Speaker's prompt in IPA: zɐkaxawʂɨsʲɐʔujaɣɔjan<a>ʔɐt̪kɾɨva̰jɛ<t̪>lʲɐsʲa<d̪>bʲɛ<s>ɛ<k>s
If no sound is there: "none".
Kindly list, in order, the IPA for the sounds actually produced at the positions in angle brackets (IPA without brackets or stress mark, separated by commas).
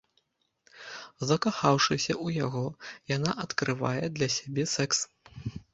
a, d̪, none, s, k